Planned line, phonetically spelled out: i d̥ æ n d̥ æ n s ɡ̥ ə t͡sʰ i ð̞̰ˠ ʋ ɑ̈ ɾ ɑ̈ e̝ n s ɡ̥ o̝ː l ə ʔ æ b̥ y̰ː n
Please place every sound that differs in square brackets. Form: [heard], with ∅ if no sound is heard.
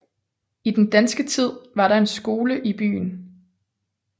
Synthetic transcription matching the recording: i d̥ [e] n d̥ æ n s ɡ̥ ə t͡sʰ i ð̞̰ˠ ʋ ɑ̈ ɾ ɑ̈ e̝ n s ɡ̥ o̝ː l ə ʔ [i] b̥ y̰ː n

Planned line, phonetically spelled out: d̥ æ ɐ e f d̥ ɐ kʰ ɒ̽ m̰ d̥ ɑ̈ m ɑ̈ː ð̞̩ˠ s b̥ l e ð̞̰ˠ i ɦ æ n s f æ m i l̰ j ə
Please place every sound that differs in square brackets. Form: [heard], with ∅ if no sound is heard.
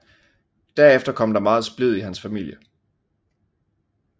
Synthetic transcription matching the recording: d̥ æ ɐ e f d̥ ɐ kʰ ɒ̽ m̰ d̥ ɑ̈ m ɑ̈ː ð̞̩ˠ s b̥ l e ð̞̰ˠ i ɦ æ n s f æ m i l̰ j ə

